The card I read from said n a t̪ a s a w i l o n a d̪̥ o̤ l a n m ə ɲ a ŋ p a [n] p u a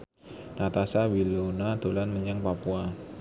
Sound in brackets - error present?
yes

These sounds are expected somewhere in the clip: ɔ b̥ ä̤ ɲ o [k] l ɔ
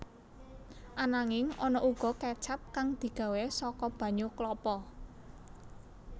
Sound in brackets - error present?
no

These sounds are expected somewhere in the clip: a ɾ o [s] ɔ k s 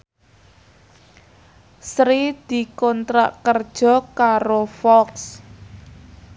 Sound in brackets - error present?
yes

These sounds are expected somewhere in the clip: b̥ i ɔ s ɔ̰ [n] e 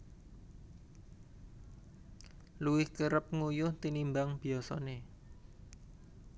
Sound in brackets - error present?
no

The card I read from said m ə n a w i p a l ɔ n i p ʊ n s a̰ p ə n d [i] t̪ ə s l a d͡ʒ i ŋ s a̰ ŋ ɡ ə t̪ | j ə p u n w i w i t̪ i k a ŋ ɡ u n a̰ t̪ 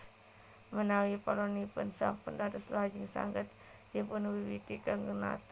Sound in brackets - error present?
yes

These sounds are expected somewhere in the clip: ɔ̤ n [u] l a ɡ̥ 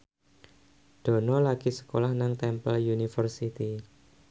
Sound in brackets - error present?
yes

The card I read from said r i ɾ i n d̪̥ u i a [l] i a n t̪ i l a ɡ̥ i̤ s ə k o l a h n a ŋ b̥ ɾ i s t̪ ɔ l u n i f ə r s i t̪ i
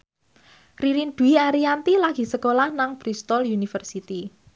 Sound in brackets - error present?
yes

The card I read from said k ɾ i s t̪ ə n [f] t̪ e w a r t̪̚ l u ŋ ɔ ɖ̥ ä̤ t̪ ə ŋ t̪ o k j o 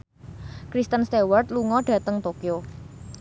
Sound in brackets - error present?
yes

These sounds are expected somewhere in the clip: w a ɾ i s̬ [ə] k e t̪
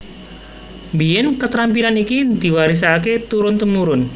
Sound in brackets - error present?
yes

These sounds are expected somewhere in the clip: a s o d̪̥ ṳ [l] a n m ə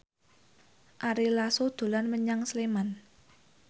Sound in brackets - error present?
no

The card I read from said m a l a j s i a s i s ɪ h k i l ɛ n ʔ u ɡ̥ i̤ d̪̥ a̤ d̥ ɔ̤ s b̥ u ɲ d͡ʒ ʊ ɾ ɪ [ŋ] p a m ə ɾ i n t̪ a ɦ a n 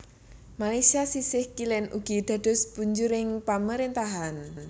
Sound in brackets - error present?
no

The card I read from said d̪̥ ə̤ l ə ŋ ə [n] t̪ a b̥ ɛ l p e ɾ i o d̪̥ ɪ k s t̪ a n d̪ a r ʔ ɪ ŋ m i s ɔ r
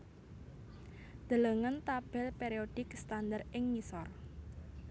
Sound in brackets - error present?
no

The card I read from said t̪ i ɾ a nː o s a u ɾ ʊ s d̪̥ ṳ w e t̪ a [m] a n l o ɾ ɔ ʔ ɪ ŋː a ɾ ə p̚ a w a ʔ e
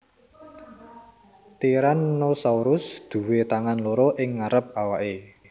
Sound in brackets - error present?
yes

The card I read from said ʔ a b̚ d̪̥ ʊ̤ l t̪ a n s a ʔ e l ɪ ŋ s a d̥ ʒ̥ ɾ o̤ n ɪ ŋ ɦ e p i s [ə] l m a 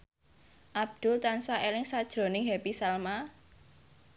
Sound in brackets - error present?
yes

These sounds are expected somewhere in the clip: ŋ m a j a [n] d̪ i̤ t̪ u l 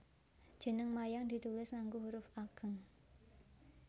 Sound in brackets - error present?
yes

